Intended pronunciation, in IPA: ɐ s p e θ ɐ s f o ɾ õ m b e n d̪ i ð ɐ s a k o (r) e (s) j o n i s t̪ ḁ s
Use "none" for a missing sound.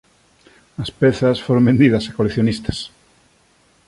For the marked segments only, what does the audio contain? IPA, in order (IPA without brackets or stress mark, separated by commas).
l, θ